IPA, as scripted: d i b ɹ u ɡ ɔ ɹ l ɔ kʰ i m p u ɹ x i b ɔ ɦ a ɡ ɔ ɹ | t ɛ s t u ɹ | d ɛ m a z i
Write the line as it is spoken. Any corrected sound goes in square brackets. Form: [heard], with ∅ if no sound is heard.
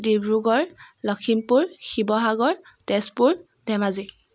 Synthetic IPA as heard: d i b ɹ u ɡ ɔ ɹ l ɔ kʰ i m p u ɹ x i b ɔ ɦ a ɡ ɔ ɹ | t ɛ s [p] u ɹ | d ɛ m a z i